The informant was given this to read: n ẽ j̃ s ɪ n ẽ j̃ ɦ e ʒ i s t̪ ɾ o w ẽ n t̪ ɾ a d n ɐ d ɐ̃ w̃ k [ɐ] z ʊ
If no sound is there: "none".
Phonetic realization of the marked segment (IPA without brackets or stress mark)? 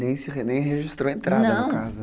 a